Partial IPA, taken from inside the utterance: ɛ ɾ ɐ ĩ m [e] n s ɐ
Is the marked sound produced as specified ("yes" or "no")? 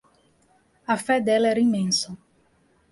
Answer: no